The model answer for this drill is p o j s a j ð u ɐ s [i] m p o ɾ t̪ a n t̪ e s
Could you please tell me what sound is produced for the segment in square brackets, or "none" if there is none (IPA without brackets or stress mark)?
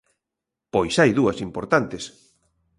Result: i